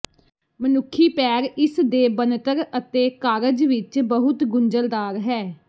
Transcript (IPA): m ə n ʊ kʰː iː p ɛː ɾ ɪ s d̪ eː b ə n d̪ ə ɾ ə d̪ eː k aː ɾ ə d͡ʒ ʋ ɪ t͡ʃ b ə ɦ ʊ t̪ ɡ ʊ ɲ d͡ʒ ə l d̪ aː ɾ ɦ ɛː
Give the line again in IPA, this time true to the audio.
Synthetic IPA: m ə n ʊ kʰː iː p ɛː ɾ ɪ s d̪ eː b ə n t̪ ə ɾ ə t̪ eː k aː ɾ ə d͡ʒ ʋ ɪ t͡ʃ b ə ɦ ʊ t̪ ɡ ʊ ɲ d͡ʒ ə l d̪ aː ɾ ɦ ɛː